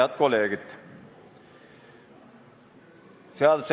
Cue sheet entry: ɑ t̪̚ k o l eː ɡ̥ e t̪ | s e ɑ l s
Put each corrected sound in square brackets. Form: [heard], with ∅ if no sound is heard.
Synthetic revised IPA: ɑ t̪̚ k o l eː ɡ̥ [i] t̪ | s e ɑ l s